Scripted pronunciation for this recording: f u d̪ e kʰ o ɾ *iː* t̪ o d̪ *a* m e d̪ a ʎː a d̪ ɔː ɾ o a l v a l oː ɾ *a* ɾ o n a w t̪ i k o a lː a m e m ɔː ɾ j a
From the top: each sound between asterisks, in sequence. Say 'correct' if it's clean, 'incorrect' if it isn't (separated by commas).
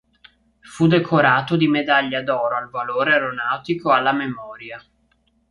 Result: incorrect, incorrect, incorrect